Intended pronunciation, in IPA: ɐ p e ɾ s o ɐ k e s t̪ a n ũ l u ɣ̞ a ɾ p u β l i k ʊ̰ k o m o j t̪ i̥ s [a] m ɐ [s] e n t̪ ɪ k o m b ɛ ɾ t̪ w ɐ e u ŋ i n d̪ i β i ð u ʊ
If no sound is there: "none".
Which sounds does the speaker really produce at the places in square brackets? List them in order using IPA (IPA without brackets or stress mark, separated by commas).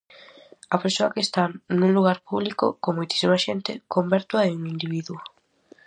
i, ʃ